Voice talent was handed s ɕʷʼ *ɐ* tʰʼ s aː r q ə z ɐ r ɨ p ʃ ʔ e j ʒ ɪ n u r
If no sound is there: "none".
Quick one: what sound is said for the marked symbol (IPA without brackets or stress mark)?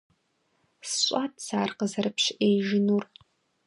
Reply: a